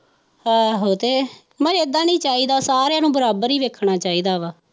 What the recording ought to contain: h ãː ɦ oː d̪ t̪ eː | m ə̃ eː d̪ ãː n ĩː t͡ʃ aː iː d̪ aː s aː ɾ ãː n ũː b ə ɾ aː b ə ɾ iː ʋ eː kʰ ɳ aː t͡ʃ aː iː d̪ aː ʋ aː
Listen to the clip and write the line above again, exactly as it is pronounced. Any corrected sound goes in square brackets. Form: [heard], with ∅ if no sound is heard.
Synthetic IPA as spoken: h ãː ɦ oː [∅] t̪ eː | m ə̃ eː d̪ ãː n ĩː t͡ʃ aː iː d̪ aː s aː ɾ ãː n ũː b ə ɾ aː b ə ɾ iː ʋ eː kʰ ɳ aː t͡ʃ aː iː d̪ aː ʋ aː